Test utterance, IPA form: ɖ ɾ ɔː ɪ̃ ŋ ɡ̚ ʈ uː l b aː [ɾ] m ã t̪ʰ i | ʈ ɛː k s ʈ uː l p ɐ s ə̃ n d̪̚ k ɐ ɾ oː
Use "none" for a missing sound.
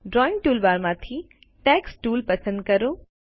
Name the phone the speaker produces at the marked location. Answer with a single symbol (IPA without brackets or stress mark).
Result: ɾ